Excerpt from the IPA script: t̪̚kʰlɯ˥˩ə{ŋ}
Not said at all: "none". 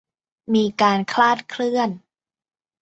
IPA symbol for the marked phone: n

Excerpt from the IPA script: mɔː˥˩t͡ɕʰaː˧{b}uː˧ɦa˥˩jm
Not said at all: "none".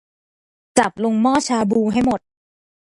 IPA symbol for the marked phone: b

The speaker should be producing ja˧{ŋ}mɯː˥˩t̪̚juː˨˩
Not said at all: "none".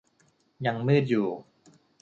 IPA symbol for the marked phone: ŋ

